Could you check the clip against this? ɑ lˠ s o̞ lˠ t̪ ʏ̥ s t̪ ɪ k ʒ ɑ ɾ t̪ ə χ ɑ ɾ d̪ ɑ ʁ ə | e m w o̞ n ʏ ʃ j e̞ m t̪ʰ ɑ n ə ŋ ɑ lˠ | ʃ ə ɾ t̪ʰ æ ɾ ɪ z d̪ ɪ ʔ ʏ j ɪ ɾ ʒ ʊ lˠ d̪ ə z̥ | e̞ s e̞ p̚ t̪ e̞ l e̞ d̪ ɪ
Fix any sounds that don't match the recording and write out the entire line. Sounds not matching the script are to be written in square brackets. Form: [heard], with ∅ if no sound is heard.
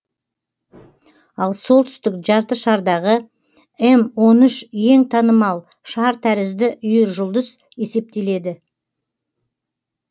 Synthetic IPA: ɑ lˠ s o̞ lˠ t̪ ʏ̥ s t̪ ɪ k ʒ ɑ ɾ t̪ ə [ʃ] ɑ ɾ d̪ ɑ ʁ ə | e m w o̞ n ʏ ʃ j e̞ [ŋ] t̪ʰ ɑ n ə [m] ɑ lˠ | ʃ [ɑ] ɾ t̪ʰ æ ɾ ɪ z d̪ ɪ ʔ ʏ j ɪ ɾ ʒ ʊ lˠ d̪ ə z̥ | e̞ s e̞ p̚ t̪ e̞ l e̞ d̪ ɪ